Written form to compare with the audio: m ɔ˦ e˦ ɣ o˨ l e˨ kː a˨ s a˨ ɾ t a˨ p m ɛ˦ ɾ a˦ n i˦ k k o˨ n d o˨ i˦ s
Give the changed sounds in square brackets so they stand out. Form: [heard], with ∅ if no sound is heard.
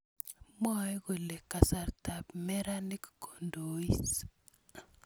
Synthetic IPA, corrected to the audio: m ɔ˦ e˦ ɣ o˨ l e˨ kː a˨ s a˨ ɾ t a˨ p m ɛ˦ ɾ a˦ n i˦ k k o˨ n d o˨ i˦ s